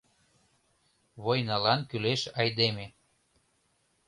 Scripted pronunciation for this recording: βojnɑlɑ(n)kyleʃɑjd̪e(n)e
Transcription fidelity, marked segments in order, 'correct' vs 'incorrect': correct, incorrect

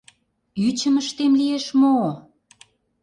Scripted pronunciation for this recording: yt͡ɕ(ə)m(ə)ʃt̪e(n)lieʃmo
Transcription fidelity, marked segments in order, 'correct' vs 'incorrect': correct, correct, incorrect

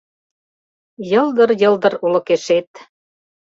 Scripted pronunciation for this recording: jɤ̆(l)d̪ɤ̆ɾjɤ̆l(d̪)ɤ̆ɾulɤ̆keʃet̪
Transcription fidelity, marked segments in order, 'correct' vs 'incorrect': correct, correct

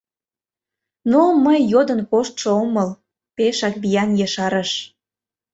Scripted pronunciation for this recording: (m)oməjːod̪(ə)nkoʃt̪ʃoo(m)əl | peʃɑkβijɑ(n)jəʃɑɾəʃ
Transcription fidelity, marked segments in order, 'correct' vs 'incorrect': incorrect, correct, correct, correct

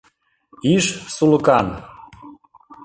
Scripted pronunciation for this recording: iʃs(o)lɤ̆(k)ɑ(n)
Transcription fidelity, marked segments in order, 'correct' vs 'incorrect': incorrect, correct, correct

